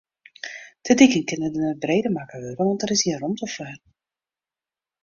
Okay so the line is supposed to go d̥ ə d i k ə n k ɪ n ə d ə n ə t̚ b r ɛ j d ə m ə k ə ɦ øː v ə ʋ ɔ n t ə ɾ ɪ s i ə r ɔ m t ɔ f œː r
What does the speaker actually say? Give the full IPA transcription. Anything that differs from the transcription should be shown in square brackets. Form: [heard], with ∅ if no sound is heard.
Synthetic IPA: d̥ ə d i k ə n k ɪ n ə d ə n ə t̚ b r [e] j d ə m [a] k ə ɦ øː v ə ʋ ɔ n t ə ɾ ɪ s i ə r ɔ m t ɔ f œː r